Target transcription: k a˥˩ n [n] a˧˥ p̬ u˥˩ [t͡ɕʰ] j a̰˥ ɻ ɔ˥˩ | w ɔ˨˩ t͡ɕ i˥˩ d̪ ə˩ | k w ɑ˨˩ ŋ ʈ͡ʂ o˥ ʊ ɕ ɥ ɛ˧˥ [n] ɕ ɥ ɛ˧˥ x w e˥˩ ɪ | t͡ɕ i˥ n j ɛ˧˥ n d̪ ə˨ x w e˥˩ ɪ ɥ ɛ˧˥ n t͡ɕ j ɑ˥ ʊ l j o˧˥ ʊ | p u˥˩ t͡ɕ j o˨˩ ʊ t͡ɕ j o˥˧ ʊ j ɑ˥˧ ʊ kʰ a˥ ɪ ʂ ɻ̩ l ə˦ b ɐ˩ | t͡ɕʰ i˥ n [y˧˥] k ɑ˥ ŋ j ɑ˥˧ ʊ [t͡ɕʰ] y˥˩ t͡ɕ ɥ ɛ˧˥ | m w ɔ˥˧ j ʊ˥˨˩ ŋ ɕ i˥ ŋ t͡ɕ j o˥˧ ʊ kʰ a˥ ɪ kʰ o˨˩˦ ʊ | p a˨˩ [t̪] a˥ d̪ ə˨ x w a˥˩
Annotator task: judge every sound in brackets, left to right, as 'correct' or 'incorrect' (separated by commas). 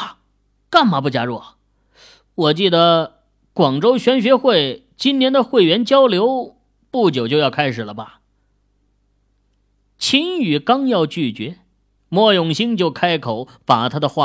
incorrect, incorrect, correct, incorrect, incorrect, incorrect